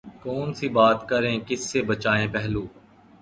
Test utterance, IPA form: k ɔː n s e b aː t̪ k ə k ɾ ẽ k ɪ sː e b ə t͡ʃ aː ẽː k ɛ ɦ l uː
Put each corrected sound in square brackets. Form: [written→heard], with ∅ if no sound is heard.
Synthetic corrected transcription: k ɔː n s [e→i] b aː t̪ k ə [k→∅] ɾ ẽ k ɪ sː e b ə t͡ʃ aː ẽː [k→p] ɛ ɦ l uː